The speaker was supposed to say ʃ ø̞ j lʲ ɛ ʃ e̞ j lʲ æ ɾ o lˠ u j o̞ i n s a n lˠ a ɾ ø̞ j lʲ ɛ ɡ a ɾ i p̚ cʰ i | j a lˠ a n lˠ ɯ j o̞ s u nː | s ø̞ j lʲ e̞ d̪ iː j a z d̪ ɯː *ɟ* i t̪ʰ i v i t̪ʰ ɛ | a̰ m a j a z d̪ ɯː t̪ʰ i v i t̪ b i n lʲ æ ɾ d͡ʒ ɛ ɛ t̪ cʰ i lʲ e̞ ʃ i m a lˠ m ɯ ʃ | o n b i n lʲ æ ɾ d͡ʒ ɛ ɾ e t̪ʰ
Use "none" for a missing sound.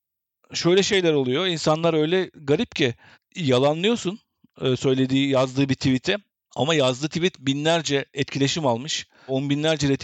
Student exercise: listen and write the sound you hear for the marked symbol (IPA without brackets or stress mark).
b